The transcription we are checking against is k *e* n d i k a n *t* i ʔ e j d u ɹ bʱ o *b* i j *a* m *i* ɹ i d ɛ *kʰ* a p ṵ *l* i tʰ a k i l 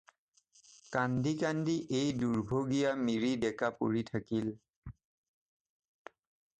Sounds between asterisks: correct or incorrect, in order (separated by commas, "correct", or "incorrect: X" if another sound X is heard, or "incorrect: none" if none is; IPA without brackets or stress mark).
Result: incorrect: a, incorrect: d, incorrect: ɡ, correct, correct, incorrect: k, incorrect: ɹ